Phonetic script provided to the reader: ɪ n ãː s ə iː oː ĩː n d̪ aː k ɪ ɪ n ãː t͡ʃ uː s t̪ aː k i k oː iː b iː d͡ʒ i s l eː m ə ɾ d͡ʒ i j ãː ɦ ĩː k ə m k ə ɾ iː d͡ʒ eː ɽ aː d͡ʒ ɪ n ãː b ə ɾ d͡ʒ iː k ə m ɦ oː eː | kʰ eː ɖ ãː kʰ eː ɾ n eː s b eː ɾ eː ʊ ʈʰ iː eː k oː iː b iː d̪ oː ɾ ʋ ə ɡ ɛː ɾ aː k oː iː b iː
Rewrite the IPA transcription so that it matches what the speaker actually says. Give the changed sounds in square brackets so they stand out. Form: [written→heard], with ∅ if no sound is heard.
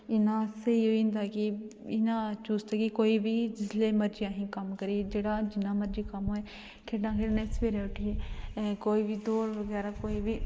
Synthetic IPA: ɪ n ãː s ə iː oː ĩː n d̪ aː k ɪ ɪ n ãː t͡ʃ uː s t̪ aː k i k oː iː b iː d͡ʒ [i→ɪ] s l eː m ə ɾ d͡ʒ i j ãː ɦ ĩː k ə m k ə ɾ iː d͡ʒ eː ɽ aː d͡ʒ ɪ n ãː [b→m] ə ɾ d͡ʒ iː k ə m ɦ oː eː | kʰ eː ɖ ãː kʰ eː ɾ n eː s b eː ɾ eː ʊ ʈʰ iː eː k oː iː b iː d̪ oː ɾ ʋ ə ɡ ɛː ɾ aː k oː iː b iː